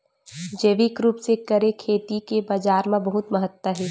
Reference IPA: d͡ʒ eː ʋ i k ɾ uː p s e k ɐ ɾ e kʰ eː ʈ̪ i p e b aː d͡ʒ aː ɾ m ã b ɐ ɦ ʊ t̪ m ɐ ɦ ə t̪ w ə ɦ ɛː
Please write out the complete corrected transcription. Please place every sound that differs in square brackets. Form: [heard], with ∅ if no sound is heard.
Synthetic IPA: d͡ʒ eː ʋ i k ɾ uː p s e k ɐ ɾ e kʰ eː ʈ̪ i [k] e b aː d͡ʒ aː ɾ m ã b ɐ ɦ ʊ t̪ m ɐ ɦ ə t̪ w ə ɦ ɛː